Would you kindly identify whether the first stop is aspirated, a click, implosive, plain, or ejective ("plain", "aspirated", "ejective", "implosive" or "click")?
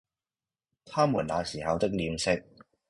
aspirated